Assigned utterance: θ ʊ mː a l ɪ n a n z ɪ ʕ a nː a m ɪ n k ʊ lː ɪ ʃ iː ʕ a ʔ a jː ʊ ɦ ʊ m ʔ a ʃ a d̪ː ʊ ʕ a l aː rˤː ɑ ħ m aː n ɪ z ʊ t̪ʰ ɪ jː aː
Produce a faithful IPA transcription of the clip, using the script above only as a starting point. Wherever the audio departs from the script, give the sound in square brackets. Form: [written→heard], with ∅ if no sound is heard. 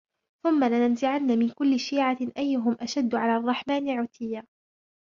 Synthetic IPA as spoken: θ ʊ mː a l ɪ n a n z ɪ ʕ a nː a m ɪ n k ʊ lː ɪ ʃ iː ʕ a ʔ a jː ʊ ɦ ʊ m ʔ a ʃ a d̪ː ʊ ʕ a l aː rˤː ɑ ħ m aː n ɪ [z→ʕ] ʊ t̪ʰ ɪ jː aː